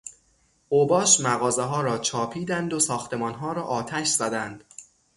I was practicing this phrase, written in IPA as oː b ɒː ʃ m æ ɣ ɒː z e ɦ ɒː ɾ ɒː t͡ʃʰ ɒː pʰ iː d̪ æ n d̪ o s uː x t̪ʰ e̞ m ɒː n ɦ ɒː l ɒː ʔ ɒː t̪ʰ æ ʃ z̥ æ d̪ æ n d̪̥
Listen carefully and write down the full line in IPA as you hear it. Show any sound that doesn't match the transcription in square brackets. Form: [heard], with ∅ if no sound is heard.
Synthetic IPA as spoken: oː b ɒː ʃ m æ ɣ ɒː z e ɦ ɒː ɾ ɒː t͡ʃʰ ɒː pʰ iː d̪ æ n d̪ o s [ɒː] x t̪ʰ e̞ m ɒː n ɦ ɒː [ɾ] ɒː ʔ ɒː t̪ʰ æ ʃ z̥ æ d̪ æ n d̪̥